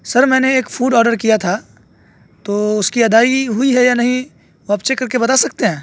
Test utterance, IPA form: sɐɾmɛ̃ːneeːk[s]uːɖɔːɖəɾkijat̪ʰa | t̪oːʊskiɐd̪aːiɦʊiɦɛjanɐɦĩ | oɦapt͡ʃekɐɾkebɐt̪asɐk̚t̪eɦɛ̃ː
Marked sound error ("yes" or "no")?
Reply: yes